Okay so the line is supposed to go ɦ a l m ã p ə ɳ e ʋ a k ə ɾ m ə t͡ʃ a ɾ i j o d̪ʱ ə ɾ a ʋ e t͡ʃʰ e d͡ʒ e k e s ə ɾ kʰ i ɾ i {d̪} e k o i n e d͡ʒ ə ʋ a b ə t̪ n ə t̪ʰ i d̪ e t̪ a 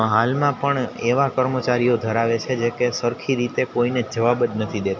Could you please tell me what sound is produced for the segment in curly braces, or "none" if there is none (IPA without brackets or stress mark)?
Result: t̪